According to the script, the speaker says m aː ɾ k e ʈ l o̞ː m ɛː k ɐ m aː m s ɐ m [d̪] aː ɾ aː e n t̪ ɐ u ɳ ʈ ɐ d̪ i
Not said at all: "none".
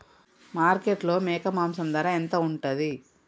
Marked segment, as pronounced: d̪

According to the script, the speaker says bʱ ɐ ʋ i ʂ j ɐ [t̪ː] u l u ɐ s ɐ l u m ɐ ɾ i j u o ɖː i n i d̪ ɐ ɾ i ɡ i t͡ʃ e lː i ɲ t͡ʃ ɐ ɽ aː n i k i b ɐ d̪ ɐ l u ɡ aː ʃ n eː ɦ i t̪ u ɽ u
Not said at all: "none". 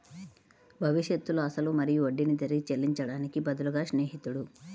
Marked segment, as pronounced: t̪ː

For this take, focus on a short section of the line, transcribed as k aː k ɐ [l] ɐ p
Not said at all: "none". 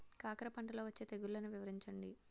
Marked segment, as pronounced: ɾ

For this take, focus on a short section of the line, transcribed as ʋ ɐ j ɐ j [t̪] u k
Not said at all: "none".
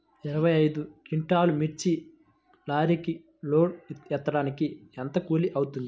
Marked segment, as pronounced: d̪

